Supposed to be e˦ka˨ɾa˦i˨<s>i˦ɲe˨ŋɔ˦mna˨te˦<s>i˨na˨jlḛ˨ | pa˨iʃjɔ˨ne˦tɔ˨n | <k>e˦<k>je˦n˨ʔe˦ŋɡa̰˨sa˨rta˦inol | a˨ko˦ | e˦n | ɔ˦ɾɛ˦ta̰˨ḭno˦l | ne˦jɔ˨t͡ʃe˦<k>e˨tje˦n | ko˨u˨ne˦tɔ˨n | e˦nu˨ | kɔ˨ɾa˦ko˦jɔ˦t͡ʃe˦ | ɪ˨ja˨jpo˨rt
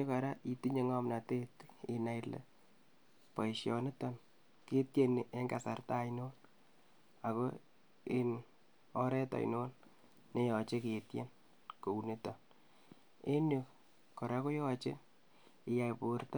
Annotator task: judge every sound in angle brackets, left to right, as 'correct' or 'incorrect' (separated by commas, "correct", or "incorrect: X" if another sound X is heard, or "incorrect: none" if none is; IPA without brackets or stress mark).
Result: incorrect: t, incorrect: t, correct, incorrect: t, correct